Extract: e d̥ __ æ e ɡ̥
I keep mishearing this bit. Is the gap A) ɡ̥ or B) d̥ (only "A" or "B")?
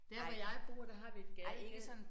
A